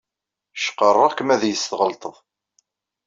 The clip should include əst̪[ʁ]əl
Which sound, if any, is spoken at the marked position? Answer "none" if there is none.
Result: ʁ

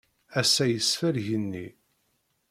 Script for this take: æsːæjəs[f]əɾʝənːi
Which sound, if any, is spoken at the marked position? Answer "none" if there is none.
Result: f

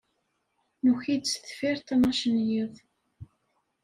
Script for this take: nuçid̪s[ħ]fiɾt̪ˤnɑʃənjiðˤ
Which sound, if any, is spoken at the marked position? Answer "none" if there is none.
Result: θ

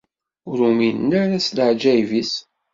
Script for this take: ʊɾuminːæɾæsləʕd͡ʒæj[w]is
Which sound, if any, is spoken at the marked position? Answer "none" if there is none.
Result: v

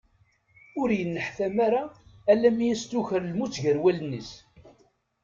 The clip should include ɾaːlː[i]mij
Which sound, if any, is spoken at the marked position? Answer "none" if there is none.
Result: æ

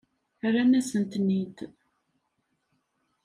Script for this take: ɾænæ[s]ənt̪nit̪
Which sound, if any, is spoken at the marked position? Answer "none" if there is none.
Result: s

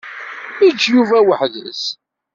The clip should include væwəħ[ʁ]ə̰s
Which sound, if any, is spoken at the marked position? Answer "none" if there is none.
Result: ð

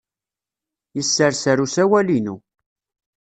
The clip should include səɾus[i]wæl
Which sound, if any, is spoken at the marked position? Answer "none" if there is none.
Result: æ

